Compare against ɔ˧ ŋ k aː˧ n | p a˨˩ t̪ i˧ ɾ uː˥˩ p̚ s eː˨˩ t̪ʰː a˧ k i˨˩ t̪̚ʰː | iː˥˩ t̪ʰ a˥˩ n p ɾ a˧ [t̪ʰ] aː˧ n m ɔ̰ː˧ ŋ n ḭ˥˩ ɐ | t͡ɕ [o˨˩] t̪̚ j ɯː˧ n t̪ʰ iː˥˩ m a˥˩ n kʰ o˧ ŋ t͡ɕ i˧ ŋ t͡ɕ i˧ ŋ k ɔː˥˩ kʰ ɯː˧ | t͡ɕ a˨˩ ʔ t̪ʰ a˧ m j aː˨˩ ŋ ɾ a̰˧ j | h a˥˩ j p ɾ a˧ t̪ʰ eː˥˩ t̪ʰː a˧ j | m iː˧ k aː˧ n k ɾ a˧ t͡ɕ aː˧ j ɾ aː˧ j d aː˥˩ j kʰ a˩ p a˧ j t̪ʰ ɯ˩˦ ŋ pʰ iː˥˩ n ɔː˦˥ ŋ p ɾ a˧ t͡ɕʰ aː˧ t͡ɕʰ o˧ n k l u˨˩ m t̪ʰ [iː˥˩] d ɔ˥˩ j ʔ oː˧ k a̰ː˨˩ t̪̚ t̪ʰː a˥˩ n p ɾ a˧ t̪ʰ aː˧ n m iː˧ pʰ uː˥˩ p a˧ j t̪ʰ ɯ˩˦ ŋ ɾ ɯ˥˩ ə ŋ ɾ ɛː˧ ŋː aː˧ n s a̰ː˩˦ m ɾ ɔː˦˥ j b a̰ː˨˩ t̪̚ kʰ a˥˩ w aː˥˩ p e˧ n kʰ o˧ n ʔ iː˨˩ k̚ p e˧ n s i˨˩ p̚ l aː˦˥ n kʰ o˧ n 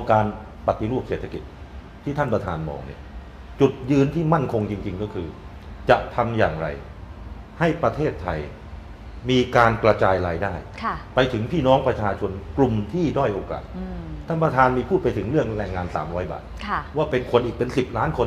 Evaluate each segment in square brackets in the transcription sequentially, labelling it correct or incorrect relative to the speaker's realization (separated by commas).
correct, incorrect, correct